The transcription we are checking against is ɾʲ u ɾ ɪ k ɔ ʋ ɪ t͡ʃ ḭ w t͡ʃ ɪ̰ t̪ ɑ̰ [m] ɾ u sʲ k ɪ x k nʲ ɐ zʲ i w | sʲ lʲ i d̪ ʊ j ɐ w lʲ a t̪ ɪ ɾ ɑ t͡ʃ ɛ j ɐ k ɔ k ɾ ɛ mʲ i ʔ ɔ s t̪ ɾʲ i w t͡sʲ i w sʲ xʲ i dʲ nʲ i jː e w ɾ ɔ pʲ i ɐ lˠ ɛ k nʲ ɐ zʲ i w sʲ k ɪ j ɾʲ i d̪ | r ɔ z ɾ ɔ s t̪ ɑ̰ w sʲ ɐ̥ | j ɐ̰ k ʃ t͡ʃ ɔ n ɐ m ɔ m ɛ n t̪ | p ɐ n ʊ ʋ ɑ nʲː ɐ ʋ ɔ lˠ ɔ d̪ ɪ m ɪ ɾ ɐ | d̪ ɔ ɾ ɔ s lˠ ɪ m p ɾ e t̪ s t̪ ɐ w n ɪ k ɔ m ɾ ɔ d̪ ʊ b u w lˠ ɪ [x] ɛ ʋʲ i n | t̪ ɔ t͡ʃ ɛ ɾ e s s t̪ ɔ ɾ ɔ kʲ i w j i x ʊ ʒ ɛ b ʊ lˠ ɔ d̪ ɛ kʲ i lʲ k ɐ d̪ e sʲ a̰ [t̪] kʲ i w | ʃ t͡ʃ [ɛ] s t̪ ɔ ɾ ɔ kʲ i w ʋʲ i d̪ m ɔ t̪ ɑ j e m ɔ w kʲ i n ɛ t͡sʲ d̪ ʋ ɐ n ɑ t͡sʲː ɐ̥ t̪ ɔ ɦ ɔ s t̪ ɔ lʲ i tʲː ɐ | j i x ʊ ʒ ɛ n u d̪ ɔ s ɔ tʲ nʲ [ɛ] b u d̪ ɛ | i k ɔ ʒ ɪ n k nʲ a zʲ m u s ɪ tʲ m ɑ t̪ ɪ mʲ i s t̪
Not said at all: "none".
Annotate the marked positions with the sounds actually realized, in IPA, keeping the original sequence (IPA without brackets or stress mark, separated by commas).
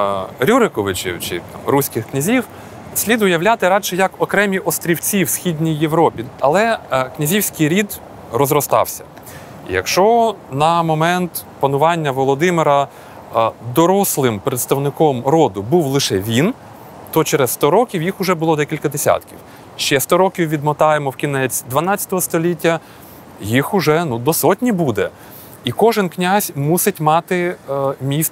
m, ʃ, t̪, ɛ, i